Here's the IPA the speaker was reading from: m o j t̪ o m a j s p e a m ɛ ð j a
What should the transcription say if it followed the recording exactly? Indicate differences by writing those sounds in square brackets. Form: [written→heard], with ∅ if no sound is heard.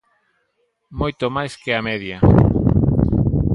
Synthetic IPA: m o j t̪ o m a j s [p→k] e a m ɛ ð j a

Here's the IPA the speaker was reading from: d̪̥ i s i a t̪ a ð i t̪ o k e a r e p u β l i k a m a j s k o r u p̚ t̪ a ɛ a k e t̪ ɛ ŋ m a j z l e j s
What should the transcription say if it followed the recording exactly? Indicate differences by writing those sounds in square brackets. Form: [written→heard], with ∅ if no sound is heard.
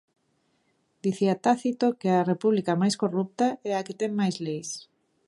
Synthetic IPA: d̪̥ i [s→θ] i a t̪ a [ð→θ] i t̪ o k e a r e p u β l i k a m a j s k o r u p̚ t̪ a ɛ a k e t̪ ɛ ŋ m a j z l e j s

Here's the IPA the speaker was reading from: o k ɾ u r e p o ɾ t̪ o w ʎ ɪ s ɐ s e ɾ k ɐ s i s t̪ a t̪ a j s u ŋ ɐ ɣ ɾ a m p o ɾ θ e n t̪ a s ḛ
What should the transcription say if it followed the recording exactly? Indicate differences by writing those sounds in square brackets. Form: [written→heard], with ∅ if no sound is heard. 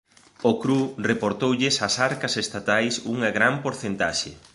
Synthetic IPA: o k ɾ u r e p o ɾ t̪ o w ʎ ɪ s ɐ s [e→a] ɾ k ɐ s [i→e] s t̪ a t̪ a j s u ŋ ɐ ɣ ɾ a m p o ɾ θ e n t̪ a [s→ʃ] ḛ

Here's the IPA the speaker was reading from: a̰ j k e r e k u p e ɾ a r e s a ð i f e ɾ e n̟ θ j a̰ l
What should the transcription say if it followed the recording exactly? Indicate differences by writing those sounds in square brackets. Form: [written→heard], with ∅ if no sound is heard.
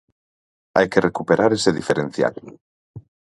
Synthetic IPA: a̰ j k e r e k u p e ɾ a [r→ɾ] e s [a→e] ð i f e ɾ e n̟ θ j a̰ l

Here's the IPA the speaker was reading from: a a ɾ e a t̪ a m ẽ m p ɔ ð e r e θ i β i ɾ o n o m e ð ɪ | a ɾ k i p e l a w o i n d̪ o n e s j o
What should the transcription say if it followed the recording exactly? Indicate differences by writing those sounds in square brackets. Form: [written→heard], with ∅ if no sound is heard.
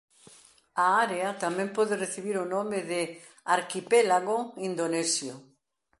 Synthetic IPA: a a ɾ e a t̪ a m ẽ m p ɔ ð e r e θ i β i ɾ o n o m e ð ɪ | a ɾ k i p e l a [w→ɣ] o i n d̪ o n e s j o

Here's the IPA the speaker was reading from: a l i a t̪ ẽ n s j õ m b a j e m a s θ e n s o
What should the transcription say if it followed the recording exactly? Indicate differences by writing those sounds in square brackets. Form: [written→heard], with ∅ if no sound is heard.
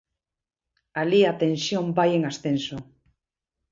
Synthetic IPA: a l i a t̪ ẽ n s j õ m b a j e [m→ŋ] a s θ e n s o

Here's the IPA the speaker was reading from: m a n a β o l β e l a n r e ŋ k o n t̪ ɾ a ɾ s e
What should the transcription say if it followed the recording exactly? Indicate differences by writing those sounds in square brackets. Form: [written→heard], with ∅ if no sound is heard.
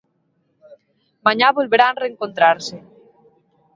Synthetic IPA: m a [n→ɲ] a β o l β e [l→ɾ] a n r e ŋ k o n t̪ ɾ a ɾ s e

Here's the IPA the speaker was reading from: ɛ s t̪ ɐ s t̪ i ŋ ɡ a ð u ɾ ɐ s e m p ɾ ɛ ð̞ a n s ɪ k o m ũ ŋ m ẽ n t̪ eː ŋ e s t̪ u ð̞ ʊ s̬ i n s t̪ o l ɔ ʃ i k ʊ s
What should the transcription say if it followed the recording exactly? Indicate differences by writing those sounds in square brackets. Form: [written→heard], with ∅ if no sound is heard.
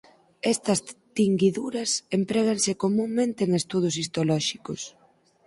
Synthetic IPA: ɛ s t̪ ɐ s t̪ i ŋ ɡ [a→i] ð u ɾ ɐ s e m p ɾ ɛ [ð̞→ɣ̞] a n s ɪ k o m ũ ŋ m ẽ n t̪ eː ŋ e s t̪ u ð̞ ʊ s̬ i [n→∅] s t̪ o l ɔ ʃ i k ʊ s

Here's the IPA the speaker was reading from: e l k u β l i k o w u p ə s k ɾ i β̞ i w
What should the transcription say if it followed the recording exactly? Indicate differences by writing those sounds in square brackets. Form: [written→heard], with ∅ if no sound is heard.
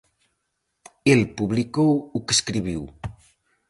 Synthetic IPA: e l [k→p] u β l i k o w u [p→k] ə s k ɾ i β̞ i w

